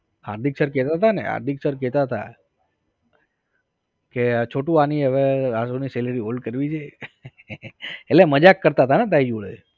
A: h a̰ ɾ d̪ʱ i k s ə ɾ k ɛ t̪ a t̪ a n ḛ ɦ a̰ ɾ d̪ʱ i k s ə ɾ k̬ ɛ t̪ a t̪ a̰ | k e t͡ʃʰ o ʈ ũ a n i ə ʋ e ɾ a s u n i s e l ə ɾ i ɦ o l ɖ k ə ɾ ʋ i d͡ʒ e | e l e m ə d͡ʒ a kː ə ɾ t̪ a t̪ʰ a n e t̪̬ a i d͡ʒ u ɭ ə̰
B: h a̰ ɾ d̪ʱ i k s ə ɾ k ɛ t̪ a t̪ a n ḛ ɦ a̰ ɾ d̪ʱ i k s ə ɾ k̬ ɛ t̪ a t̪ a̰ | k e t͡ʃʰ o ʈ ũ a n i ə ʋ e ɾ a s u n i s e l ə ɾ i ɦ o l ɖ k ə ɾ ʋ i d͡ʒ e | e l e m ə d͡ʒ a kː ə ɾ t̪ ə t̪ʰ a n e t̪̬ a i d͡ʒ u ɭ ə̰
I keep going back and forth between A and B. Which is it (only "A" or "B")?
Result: A